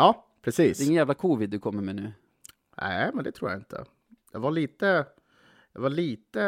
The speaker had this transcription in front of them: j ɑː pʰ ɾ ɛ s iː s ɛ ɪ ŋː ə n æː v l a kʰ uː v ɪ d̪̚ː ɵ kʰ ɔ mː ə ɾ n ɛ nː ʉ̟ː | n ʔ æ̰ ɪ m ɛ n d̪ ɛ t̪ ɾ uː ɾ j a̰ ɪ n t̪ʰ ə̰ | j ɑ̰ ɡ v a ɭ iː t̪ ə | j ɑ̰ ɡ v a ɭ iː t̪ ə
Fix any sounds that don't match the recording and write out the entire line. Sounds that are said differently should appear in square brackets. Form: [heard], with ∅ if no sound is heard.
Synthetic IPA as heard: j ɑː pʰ ɾ ɛ s iː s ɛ ɪ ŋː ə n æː v l a kʰ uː v ɪ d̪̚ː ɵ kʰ ɔ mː ə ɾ [m] ɛ [n] ʉ̟ː | n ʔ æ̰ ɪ m ɛ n d̪ ɛ [t̪ʰ] ɾ uː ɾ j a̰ ɪ n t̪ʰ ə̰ | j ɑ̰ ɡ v a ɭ iː t̪ ə | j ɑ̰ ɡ v a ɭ iː t̪ ə